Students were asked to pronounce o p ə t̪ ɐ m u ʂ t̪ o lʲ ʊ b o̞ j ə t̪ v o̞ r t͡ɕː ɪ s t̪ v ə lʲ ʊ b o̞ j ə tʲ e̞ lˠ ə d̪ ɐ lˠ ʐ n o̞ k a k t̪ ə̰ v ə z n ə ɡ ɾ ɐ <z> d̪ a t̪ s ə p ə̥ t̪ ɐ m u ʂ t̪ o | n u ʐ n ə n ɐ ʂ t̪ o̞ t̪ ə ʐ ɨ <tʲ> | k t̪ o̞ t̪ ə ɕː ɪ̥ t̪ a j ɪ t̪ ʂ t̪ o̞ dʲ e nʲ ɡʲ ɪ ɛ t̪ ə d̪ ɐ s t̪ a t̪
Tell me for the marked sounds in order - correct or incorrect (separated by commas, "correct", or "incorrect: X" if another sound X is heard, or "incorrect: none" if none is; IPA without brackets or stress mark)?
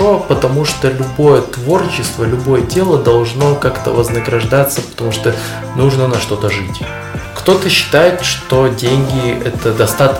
incorrect: ʐ, correct